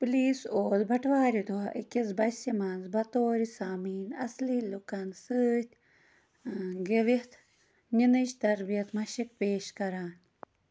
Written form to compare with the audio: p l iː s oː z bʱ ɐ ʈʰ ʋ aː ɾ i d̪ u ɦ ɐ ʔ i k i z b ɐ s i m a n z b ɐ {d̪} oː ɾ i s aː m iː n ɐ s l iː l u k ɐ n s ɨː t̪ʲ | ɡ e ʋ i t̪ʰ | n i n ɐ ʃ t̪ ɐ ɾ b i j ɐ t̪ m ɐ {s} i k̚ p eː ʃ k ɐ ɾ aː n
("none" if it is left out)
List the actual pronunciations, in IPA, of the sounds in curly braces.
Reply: t̪, ʃ

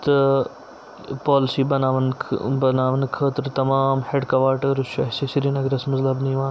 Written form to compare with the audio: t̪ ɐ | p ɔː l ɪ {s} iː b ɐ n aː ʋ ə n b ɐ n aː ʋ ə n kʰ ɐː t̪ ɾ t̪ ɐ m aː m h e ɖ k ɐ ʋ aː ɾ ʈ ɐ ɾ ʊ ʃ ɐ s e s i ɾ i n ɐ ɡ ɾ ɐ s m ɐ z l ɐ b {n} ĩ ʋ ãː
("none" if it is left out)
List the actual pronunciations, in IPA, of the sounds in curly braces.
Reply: s, n

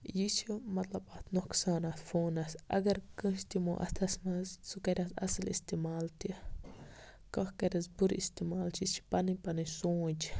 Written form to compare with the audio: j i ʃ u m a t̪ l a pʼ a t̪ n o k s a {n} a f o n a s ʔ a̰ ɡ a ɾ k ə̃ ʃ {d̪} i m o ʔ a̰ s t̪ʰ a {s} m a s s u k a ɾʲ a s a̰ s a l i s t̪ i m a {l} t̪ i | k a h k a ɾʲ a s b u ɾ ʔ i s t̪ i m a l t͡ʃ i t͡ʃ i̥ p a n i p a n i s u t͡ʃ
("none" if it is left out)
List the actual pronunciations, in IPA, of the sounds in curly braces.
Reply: n, t̪, s, l

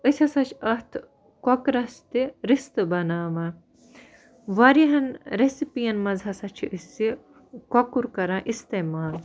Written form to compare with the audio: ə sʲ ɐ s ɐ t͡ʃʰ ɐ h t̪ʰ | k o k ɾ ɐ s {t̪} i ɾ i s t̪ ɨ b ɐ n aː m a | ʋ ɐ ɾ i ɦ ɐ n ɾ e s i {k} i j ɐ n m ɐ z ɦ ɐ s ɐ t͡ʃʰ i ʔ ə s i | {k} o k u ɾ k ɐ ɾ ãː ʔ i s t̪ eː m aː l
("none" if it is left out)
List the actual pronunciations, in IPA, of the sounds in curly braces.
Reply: t̪, p, k

